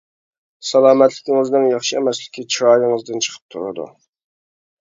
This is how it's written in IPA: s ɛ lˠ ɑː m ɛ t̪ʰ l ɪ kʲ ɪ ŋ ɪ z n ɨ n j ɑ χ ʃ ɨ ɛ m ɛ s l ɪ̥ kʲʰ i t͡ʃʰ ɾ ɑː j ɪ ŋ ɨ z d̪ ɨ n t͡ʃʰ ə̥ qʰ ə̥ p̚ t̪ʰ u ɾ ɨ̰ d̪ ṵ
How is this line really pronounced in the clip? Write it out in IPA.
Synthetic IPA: s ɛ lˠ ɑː m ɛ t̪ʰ l ɪ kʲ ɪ ŋ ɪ z n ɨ ŋ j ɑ χ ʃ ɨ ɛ m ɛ s l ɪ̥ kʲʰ i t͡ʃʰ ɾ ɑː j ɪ ŋ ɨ z d̪ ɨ n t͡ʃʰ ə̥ qʰ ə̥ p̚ t̪ʰ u ɾ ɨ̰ d̪ ṵ